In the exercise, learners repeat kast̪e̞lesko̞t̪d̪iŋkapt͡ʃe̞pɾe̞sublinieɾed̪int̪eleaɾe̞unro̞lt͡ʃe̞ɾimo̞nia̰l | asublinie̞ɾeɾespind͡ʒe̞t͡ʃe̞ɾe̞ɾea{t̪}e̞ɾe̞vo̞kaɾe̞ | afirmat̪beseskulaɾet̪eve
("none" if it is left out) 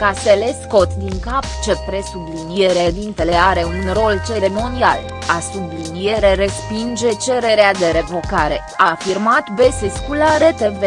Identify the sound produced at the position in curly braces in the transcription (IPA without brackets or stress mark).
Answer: d̪